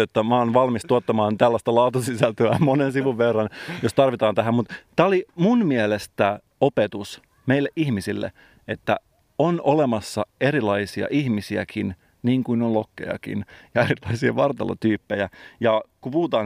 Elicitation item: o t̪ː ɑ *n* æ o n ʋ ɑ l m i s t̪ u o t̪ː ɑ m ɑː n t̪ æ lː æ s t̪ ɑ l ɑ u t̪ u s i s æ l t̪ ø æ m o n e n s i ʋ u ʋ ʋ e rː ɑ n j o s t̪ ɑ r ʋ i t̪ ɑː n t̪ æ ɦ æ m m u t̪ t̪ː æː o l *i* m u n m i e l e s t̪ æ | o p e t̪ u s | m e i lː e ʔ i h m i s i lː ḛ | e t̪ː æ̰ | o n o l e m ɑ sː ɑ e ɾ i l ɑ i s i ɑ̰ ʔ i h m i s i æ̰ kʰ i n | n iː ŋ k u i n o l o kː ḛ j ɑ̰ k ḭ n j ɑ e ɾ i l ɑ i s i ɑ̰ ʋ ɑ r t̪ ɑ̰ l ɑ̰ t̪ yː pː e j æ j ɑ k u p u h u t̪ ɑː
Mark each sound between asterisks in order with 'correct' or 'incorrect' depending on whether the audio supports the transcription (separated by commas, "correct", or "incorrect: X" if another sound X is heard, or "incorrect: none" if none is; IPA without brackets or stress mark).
incorrect: m, correct